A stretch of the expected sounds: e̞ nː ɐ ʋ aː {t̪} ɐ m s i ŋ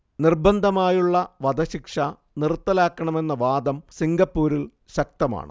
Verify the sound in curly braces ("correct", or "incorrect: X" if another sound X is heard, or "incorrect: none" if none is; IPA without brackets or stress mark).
incorrect: d̪